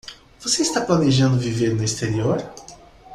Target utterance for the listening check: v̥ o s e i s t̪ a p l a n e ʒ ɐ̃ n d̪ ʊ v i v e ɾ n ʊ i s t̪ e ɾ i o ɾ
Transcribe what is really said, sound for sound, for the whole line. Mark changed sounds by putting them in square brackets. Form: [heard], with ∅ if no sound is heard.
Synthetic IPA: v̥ o s e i s t̪ a p l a n e ʒ ɐ̃ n d̪ ʊ v i v e ɾ n ʊ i s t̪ e ɾ i o ɾ

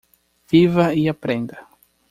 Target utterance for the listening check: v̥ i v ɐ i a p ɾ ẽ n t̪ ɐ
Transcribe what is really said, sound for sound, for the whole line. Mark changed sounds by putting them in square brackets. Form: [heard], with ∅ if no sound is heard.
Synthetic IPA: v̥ i v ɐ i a p ɾ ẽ n [d̪] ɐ

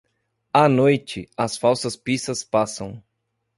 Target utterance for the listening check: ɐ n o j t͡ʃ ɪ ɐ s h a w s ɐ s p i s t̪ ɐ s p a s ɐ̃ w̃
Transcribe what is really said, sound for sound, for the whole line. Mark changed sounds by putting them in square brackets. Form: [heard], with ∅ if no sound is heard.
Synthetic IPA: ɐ n o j t͡ʃ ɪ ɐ s [f] a w s ɐ s p i s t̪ ɐ s p a s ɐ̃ w̃

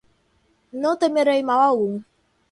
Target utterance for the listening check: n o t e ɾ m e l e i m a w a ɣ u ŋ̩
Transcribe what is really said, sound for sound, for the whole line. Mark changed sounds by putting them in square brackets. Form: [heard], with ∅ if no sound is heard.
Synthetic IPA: n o t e [∅] m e [ɾ] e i m a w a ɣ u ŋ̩

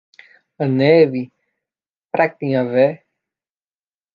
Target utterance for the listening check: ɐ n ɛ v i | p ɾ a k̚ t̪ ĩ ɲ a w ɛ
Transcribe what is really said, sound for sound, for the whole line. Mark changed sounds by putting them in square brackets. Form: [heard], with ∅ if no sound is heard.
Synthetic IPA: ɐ n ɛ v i | p ɾ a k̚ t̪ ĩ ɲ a [v] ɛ

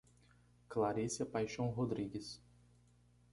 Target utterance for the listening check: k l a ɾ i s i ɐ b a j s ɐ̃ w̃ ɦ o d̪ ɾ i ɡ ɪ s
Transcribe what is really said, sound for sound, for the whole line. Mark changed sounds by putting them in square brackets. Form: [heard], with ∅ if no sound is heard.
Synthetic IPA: k l a ɾ i s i ɐ [p] a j [ʃ] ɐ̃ w̃ ɦ o d̪ ɾ i ɡ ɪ s

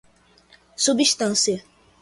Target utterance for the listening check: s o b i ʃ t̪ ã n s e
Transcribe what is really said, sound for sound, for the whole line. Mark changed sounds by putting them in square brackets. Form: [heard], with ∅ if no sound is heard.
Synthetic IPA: s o b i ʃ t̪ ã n s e

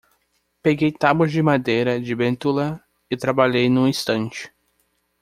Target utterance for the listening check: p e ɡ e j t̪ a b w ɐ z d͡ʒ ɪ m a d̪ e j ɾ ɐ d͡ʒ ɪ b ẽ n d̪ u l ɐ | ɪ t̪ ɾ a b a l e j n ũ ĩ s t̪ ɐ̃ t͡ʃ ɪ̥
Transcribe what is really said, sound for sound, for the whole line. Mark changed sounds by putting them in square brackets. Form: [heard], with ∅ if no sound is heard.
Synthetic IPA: p e ɡ e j t̪ a b w ɐ z d͡ʒ ɪ m a d̪ e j ɾ ɐ d͡ʒ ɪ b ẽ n [t̪] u l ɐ | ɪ t̪ ɾ a b a [ʎ] e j n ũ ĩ s t̪ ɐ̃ t͡ʃ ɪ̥

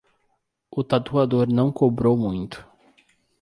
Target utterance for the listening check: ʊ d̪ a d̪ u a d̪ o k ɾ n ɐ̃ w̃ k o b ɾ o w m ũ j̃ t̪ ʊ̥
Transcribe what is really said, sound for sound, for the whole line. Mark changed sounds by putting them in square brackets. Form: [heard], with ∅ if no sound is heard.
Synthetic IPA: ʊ [t̪] a [t̪] u a d̪ o [∅] ɾ n ɐ̃ w̃ k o b ɾ o w m ũ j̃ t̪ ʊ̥

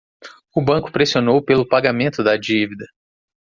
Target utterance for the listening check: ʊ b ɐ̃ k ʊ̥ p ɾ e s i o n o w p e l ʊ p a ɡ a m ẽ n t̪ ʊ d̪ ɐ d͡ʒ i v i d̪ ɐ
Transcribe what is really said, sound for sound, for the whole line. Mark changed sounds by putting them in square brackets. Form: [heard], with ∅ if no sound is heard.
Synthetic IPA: ʊ b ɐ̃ k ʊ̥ p ɾ e s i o n o w p e l ʊ p a ɡ a m ẽ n t̪ ʊ d̪ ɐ d͡ʒ i v i d̪ ɐ

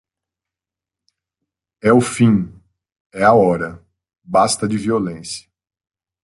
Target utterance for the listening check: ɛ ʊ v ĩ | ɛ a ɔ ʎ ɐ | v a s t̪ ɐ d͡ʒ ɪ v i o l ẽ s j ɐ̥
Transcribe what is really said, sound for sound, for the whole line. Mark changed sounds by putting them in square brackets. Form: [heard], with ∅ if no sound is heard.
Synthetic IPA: ɛ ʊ [f] ĩ | ɛ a ɔ [ɾ] ɐ | [b] a s t̪ ɐ d͡ʒ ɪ v i o l ẽ s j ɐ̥

